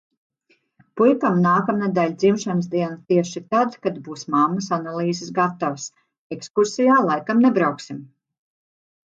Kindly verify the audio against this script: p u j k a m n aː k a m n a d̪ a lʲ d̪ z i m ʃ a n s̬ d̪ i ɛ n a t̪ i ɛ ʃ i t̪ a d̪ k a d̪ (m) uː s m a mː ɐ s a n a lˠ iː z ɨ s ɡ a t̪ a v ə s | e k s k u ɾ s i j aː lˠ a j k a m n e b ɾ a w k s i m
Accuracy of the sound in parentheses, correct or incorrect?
incorrect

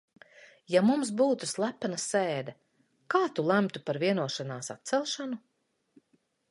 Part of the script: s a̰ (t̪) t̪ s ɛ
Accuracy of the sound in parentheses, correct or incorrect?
correct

